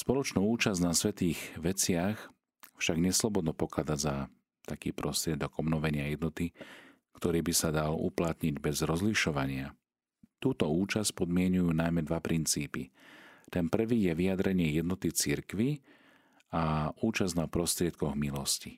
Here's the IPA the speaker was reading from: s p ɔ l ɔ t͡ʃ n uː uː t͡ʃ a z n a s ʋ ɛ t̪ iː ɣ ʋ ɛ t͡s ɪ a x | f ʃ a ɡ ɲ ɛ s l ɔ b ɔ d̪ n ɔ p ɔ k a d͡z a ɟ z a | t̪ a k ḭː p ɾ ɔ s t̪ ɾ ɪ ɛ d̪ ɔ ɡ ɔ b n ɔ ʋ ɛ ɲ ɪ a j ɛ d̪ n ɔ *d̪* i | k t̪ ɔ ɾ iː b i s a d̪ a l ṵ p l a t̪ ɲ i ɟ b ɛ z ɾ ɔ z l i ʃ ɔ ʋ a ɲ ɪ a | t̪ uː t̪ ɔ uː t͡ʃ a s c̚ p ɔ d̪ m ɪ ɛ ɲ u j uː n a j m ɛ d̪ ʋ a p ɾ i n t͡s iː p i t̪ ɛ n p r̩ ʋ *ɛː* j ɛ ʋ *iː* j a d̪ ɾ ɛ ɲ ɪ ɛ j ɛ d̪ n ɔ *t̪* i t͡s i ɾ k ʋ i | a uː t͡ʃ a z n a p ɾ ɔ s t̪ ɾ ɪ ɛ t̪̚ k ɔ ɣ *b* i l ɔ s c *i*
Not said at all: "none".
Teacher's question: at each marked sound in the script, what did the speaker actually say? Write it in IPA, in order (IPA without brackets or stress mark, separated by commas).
t̪, iː, i, t̪, m, i